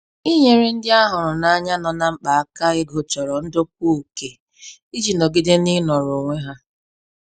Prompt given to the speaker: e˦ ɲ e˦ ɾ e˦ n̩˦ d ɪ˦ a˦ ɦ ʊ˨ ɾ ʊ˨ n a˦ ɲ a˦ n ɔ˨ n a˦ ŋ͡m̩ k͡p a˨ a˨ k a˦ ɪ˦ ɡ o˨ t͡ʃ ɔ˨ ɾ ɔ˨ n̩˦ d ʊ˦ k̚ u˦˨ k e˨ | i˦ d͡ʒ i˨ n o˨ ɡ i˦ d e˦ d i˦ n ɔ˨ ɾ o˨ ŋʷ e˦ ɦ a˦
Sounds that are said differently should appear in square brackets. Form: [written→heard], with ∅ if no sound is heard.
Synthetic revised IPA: [e˦→i˦] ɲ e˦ ɾ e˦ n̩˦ d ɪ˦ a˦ ɦ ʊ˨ ɾ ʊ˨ n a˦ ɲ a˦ n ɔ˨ n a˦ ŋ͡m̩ k͡p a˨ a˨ k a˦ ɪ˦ ɡ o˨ t͡ʃ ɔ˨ ɾ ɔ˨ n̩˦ d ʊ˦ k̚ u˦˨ k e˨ | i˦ d͡ʒ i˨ n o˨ ɡ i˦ d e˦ [d→n] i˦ n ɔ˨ ɾ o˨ ŋʷ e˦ ɦ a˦